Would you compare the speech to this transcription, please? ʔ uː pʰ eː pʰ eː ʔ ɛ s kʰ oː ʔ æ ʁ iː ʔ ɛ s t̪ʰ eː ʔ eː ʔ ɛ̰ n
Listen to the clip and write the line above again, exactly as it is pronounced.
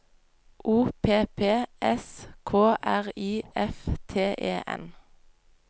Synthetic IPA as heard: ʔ uː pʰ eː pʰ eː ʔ ɛ s kʰ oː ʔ æ ʁ iː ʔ ɛ f t̪ʰ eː ʔ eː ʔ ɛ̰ n